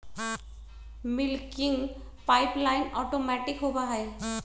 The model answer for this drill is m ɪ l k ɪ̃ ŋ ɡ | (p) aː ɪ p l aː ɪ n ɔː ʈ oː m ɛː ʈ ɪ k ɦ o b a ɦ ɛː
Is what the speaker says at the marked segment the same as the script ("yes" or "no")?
yes